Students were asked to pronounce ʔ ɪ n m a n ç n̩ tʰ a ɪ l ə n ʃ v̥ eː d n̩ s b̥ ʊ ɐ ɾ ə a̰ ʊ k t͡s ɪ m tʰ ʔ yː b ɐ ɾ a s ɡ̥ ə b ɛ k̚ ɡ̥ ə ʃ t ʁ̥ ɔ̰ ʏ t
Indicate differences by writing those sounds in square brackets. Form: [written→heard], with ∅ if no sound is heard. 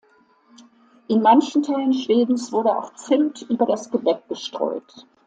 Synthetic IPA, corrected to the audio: ʔ ɪ n m a n ç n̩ tʰ a ɪ l ə n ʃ v̥ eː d n̩ s [b̥→v̥] ʊ ɐ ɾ ə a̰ ʊ [k→x] t͡s ɪ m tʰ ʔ yː b ɐ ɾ a s ɡ̥ ə b ɛ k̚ ɡ̥ ə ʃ t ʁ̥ ɔ̰ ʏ t